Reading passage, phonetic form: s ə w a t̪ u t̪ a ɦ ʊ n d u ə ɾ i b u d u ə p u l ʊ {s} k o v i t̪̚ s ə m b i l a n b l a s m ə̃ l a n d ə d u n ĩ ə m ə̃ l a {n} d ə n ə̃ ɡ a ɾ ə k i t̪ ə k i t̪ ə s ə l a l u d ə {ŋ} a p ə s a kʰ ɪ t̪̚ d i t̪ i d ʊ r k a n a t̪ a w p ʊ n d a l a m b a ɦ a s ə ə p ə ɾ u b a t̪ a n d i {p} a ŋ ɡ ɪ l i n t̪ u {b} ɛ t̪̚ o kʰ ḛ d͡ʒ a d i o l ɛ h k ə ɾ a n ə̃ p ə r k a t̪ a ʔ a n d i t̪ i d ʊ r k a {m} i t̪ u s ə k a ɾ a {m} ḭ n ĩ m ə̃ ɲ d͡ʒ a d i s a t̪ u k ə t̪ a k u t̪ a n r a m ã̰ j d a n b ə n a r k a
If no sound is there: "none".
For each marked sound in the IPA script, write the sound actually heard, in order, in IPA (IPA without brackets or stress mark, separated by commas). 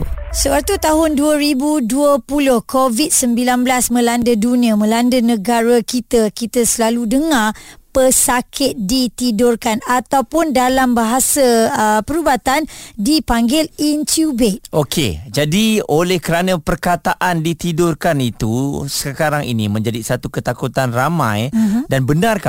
h, n, ŋ, p, b, n, ŋ